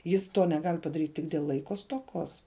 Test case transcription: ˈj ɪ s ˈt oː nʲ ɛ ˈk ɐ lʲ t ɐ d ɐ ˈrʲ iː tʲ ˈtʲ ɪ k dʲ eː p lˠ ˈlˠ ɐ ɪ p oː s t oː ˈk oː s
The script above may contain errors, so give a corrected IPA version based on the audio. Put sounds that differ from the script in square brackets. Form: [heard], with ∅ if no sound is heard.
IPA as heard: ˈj ɪ s ˈt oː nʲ ɛ [ˈɡ] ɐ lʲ [p] ɐ d ɐ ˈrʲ iː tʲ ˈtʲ ɪ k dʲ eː [∅] lˠ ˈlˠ ɐ ɪ [k] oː s t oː ˈk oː s